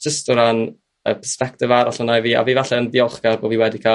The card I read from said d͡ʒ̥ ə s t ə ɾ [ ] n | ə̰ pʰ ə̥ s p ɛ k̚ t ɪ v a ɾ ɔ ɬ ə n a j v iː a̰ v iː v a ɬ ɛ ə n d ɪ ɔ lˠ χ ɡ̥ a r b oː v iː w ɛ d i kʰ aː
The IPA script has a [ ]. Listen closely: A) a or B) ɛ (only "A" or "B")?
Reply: A